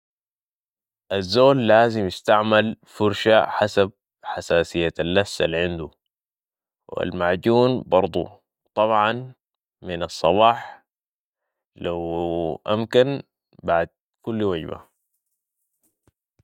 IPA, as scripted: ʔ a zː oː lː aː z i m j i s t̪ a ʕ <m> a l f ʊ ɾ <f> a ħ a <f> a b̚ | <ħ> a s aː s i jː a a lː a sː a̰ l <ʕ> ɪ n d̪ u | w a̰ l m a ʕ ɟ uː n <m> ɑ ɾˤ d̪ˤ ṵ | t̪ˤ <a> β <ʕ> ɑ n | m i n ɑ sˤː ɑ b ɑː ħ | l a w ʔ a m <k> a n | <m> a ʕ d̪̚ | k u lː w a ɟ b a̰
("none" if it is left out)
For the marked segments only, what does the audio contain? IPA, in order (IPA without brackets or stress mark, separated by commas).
m, ʃ, s, ħ, ʕ, b, ɑ, ʕ, k, b